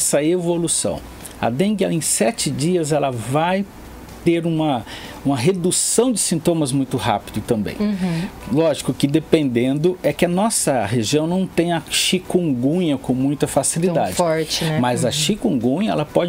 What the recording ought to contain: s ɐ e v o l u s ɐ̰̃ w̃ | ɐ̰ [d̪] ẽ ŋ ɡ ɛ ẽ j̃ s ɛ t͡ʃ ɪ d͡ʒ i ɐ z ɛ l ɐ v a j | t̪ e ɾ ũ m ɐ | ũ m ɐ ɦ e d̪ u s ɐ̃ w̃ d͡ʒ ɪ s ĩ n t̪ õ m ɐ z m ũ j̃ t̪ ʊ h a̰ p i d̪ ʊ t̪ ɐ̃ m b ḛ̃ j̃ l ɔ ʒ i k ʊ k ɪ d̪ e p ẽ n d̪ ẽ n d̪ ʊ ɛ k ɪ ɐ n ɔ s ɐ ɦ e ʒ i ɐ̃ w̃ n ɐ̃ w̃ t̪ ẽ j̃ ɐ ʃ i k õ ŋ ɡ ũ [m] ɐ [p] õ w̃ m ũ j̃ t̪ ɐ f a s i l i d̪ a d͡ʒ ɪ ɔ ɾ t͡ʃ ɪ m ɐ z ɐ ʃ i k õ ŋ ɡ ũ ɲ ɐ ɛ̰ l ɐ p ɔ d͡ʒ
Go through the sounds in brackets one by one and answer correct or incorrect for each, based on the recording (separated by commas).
correct, incorrect, incorrect